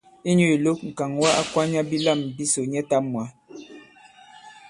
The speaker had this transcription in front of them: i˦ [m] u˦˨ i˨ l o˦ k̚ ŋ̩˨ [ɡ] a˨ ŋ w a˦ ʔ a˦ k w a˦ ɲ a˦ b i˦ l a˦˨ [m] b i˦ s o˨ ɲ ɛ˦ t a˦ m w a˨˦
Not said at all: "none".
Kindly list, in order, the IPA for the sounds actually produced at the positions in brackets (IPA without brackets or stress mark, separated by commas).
ɲ, k, m